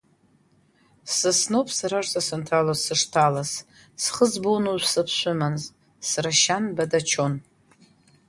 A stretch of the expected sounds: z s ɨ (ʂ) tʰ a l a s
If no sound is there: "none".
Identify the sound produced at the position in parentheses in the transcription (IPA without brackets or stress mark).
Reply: ʂ